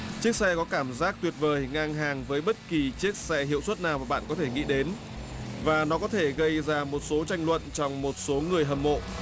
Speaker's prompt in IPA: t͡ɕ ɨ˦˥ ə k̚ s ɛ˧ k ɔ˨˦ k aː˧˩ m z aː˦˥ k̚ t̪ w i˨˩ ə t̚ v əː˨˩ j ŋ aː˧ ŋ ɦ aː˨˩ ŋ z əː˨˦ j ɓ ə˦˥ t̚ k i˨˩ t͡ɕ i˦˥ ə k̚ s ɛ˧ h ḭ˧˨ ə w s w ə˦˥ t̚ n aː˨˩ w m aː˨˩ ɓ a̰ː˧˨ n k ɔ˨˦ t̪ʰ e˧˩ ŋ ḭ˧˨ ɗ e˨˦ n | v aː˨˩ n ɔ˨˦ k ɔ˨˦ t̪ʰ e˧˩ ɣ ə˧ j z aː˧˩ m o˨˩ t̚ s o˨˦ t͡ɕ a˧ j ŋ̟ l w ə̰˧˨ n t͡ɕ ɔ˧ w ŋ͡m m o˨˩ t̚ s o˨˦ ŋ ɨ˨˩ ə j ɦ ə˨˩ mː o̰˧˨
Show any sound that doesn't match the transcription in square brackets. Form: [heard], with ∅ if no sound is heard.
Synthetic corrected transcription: t͡ɕ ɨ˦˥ ə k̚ s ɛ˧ k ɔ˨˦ k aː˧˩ m z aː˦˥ k̚ t̪ w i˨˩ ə t̚ v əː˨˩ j ŋ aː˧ ŋ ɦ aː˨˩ ŋ [v] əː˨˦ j ɓ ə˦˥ t̚ k i˨˩ t͡ɕ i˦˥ ə k̚ s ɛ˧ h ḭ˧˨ ə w s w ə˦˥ t̚ n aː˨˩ w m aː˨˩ ɓ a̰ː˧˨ n k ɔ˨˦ t̪ʰ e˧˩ ŋ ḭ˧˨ ɗ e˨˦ n | v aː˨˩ n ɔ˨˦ k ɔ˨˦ t̪ʰ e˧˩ ɣ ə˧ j z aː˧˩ m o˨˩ t̚ s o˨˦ t͡ɕ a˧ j ŋ̟ l w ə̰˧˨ n t͡ɕ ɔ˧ w ŋ͡m m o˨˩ t̚ s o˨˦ ŋ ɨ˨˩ ə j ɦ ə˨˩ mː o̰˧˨